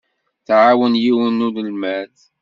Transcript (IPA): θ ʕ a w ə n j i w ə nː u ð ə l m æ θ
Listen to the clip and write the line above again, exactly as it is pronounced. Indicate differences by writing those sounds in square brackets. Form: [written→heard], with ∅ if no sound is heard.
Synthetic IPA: θ ʕ a w ə n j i w ə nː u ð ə l m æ θ